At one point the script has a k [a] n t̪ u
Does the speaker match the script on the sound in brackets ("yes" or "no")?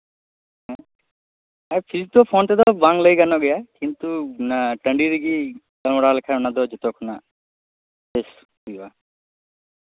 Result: no